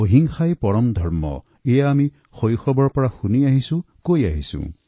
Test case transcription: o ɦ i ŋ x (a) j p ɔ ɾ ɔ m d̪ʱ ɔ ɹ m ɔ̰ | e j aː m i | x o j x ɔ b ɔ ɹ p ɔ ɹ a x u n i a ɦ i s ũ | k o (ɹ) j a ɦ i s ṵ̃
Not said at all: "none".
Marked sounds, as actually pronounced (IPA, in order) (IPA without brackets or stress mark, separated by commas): a, none